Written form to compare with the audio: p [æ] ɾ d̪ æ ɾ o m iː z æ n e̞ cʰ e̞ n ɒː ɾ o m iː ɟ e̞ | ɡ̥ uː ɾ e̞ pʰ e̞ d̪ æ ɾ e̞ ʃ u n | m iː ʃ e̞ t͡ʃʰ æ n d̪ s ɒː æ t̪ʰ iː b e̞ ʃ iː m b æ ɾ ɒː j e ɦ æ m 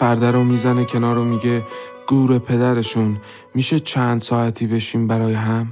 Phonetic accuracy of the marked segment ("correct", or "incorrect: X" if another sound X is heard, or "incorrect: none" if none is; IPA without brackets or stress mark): correct